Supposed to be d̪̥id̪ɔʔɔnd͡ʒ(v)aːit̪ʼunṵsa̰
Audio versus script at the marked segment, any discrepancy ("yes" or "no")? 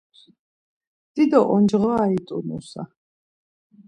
yes